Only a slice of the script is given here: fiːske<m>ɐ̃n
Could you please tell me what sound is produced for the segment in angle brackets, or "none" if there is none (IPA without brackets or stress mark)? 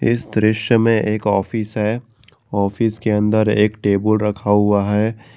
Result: none